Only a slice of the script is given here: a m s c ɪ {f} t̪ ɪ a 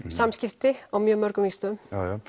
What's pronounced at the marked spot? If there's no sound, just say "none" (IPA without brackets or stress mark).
f